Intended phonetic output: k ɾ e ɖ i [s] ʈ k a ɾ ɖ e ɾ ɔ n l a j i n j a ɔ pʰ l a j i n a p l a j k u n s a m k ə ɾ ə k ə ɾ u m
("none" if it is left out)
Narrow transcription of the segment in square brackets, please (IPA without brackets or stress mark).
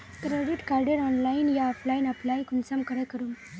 none